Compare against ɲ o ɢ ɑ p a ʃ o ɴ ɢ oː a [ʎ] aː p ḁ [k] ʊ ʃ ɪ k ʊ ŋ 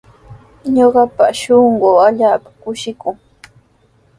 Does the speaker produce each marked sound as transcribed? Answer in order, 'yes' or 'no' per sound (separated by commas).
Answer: yes, yes